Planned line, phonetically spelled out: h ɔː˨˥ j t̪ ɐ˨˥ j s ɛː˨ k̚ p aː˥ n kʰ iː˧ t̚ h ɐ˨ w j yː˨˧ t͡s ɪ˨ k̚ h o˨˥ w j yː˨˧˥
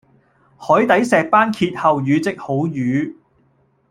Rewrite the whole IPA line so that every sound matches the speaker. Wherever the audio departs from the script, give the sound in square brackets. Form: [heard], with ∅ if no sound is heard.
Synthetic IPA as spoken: h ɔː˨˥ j t̪ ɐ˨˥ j s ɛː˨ k̚ p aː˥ n kʰ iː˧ t̚ h ɐ˨ w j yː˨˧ t͡s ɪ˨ k̚ h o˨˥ w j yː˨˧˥

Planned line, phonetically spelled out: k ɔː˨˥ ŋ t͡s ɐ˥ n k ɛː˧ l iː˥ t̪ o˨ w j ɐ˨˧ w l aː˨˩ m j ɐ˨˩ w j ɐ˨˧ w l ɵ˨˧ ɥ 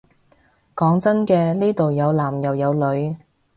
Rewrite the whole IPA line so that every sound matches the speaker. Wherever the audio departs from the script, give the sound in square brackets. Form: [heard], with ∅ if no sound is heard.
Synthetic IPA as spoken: k ɔː˨˥ ŋ t͡s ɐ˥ n k ɛː˧ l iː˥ t̪ o˨ w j ɐ˨˧ w l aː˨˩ m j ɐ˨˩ w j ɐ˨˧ w l ɵ˨˧ ɥ

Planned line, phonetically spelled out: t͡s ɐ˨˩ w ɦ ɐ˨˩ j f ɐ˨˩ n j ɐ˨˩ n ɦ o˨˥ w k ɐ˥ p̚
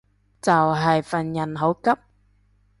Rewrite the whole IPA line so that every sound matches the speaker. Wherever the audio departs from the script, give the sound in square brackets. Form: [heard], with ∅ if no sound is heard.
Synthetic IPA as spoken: t͡s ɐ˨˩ w ɦ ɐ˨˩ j f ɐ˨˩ n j ɐ˨˩ n ɦ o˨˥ w k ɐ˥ p̚

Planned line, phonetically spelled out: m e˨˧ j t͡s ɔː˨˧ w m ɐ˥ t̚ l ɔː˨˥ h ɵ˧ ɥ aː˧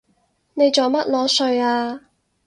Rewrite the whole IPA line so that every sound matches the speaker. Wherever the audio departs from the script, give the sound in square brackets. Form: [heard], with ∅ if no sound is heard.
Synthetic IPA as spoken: [n] e˨˧ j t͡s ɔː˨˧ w m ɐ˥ t̚ l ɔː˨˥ [s] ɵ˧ ɥ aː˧

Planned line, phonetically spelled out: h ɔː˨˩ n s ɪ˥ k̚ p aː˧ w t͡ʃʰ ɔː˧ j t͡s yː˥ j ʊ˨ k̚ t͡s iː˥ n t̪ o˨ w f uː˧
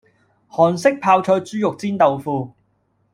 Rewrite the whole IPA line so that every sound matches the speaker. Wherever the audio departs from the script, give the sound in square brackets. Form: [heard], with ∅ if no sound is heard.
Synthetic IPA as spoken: h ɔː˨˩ n s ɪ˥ k̚ [pʰ] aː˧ w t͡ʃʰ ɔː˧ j t͡s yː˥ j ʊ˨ k̚ t͡s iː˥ n t̪ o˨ w f uː˧

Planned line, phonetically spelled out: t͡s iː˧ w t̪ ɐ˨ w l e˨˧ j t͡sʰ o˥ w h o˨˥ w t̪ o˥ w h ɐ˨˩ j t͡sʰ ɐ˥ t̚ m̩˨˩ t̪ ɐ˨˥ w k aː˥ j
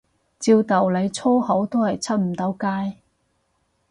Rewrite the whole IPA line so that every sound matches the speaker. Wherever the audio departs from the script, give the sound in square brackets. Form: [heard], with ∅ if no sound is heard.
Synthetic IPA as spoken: t͡s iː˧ w t̪ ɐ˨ w l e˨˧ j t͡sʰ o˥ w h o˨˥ w t̪ o˥ w h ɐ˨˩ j t͡sʰ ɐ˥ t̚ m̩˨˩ t̪ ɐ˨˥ w k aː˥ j

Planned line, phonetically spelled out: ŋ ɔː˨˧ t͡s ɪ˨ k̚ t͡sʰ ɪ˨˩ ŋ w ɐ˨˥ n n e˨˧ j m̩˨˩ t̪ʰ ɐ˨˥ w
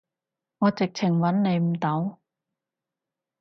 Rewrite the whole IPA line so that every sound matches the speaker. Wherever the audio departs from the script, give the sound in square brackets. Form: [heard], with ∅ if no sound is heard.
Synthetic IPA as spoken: ŋ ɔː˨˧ t͡s ɪ˨ k̚ t͡sʰ ɪ˨˩ ŋ w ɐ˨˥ n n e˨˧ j m̩˨˩ [t̪] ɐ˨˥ w

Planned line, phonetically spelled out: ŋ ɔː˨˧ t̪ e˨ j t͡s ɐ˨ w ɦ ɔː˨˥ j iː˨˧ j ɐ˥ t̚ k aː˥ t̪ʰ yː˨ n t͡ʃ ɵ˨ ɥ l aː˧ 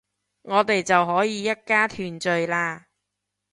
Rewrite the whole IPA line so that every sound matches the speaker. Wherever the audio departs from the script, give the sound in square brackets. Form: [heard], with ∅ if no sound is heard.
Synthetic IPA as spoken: ŋ ɔː˨˧ t̪ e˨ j t͡s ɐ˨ w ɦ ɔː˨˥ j iː˨˧ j ɐ˥ t̚ k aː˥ t̪ʰ yː˨ n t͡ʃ ɵ˨ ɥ l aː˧

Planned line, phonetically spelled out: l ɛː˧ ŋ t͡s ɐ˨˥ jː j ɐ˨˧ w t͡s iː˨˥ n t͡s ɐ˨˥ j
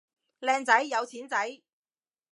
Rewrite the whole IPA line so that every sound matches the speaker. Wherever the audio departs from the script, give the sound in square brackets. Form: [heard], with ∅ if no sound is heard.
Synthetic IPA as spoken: l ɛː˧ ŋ t͡s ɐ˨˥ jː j ɐ˨˧ w [t͡sʰ] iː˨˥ n t͡s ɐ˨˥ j

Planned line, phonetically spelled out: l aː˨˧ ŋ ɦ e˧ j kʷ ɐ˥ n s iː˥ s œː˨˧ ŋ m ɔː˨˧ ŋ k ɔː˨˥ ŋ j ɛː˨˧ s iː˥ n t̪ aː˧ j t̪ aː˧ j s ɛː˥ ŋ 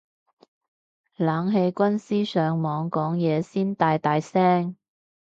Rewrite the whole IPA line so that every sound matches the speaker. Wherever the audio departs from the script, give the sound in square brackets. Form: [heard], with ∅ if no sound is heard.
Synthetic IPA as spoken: l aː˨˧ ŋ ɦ e˧ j kʷ ɐ˥ n s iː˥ s œː˨˧ ŋ m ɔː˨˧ ŋ k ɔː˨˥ ŋ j ɛː˨˧ s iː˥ n t̪ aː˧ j t̪ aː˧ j s ɛː˥ ŋ

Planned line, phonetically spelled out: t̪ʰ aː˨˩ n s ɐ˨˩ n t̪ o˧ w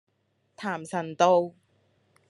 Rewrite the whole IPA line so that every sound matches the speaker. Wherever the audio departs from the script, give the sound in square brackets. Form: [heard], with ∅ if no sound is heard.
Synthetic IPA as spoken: t̪ʰ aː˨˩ [m] s ɐ˨˩ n t̪ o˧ w

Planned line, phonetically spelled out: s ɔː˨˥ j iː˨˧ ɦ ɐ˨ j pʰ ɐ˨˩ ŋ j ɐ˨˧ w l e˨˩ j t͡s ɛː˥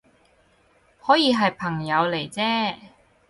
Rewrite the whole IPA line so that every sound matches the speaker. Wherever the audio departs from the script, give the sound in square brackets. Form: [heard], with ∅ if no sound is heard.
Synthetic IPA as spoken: [h] ɔː˨˥ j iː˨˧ ɦ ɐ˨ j pʰ ɐ˨˩ ŋ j ɐ˨˧ w l e˨˩ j t͡s ɛː˥

